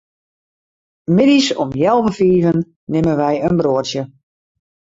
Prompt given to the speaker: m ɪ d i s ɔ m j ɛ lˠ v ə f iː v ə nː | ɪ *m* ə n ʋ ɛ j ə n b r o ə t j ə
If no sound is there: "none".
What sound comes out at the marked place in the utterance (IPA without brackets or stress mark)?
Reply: m